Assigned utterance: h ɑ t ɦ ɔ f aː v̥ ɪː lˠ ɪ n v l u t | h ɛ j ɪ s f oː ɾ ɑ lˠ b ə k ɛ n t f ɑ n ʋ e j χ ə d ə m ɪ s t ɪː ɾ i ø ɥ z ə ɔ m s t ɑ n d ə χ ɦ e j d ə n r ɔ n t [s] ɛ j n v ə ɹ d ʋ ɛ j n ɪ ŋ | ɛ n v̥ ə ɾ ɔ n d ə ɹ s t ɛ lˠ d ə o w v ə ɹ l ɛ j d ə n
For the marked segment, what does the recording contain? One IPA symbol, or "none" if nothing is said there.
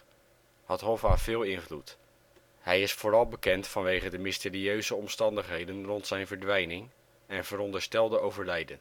s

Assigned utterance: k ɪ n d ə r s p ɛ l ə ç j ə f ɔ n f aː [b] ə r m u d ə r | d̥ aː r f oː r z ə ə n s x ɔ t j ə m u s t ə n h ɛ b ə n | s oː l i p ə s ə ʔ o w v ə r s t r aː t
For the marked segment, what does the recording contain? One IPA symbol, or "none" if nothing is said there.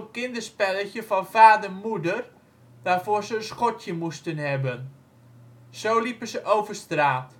d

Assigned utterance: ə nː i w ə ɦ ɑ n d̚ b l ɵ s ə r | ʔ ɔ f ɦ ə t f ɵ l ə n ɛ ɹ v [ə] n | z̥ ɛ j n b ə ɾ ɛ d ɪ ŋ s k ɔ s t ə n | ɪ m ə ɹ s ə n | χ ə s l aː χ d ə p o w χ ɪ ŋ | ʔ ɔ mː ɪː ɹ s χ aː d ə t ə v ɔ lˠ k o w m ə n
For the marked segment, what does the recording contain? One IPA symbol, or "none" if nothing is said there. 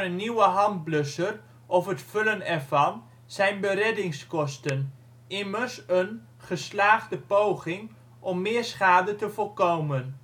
ɑ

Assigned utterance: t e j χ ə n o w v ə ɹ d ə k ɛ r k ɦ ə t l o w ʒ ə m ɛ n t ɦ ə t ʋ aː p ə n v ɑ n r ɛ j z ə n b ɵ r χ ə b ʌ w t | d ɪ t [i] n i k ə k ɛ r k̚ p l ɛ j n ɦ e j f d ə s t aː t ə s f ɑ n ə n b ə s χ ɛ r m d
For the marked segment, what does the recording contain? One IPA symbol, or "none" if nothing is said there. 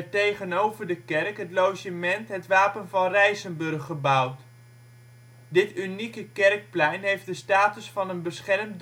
y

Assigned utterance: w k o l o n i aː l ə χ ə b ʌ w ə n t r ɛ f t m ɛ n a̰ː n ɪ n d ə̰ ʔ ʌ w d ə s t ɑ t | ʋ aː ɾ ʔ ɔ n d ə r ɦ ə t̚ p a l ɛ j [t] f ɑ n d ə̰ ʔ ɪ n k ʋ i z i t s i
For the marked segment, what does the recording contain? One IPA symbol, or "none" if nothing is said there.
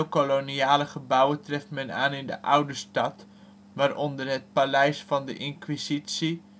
s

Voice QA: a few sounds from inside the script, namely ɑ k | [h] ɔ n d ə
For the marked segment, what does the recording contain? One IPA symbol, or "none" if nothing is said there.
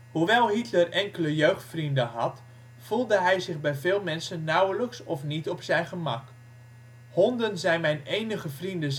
h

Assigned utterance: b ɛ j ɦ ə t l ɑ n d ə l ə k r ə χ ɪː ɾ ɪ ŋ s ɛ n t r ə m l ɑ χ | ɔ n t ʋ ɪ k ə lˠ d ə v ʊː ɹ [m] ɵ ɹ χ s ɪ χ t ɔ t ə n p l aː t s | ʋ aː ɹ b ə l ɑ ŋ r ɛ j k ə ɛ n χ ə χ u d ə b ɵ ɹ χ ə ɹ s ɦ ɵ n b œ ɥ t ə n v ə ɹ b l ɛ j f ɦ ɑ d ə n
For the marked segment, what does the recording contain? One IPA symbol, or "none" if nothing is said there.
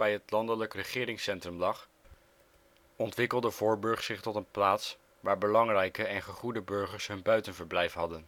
b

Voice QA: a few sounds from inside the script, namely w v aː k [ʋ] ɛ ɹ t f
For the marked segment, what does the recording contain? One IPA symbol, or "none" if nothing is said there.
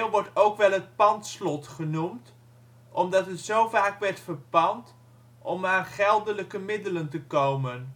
ʋ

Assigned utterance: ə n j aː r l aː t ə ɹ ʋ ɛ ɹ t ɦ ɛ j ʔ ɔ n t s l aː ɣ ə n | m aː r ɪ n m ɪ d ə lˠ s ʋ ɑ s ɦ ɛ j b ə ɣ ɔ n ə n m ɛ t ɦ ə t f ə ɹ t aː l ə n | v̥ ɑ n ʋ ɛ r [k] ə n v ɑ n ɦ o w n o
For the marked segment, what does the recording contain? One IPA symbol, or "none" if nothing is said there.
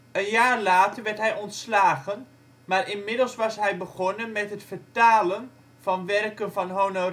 k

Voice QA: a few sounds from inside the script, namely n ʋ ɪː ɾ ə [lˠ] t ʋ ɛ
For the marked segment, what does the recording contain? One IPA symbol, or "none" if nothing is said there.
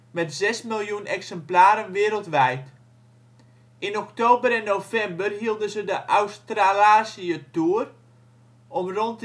lˠ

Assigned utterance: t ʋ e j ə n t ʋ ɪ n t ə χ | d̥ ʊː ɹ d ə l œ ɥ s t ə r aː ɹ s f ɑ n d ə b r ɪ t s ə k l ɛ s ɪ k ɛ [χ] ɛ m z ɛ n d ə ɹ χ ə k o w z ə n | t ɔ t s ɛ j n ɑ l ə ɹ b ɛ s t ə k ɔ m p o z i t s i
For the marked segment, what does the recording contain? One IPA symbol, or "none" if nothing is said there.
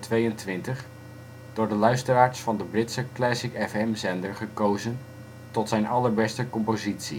f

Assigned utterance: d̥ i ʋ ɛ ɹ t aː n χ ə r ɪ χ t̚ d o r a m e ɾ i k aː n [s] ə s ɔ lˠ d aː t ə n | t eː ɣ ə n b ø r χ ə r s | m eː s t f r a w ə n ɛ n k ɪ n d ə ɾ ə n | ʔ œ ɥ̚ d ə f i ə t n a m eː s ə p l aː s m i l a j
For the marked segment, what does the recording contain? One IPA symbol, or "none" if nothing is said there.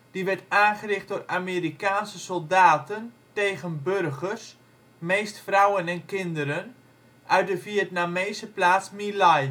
s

